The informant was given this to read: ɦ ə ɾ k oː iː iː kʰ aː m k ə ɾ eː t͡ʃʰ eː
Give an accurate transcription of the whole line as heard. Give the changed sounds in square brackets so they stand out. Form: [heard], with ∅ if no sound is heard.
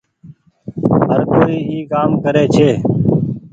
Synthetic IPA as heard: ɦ ə ɾ k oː iː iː [k] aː m k ə ɾ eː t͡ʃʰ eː

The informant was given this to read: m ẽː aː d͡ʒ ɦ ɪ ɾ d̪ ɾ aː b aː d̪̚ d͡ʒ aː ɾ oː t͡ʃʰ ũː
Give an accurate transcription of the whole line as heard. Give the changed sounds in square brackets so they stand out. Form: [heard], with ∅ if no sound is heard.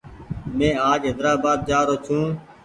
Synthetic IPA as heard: m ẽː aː d͡ʒ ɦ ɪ [∅] d̪ ɾ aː b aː d̪̚ d͡ʒ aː ɾ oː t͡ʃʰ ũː

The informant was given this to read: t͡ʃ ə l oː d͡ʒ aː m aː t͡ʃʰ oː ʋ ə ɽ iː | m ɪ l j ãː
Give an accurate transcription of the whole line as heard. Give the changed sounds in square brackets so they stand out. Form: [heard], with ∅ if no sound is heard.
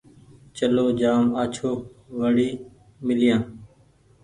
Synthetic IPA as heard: t͡ʃ ə l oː d͡ʒ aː m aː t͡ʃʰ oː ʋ ə ɽ iː | m ɪ l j ãː

